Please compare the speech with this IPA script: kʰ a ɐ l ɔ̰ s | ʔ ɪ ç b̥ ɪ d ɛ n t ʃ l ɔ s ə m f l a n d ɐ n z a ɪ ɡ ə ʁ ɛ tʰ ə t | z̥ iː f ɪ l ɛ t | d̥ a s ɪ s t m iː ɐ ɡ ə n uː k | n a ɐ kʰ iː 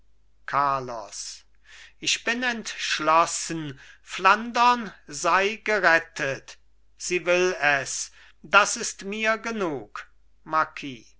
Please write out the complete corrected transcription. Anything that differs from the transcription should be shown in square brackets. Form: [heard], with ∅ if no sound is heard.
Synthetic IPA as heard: kʰ a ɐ l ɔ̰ s | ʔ ɪ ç b̥ ɪ [n] ɛ n t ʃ l ɔ s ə [n] f l a n d ɐ n z a ɪ ɡ ə ʁ ɛ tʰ ə t | z̥ iː [v] ɪ l ɛ [s] | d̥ a s ɪ s t m iː ɐ ɡ ə n uː k | [m] a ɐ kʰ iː